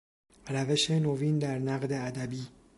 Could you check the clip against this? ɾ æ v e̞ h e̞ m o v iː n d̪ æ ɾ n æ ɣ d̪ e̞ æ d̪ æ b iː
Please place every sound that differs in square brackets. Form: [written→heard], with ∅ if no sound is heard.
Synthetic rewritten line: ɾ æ v e̞ [h→ʃ] e̞ [m→n] o v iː n d̪ æ ɾ n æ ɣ d̪ e̞ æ d̪ æ b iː